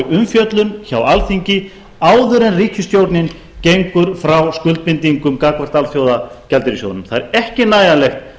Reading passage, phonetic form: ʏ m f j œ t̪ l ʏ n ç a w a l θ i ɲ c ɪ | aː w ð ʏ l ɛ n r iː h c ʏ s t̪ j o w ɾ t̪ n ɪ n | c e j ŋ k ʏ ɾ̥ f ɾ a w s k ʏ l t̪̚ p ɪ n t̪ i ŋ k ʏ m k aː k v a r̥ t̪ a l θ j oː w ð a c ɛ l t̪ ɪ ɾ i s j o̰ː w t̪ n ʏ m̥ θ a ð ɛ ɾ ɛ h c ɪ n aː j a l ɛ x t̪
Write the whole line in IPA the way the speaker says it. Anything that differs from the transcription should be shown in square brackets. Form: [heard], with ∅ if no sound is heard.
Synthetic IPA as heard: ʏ m f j œ t̪ l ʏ n ç a w a l θ i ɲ c ɪ | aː w ð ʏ [ɾ] ɛ n r iː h c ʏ s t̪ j o w ɾ t̪ n ɪ n | c e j ŋ k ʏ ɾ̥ f ɾ a w s k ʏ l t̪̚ p ɪ n t̪ i ŋ k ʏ m k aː k v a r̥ t̪ a l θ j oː w ð a c ɛ l t̪ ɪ ɾ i s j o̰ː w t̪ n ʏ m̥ θ a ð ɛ ɾ ɛ h c ɪ n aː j a l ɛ x t̪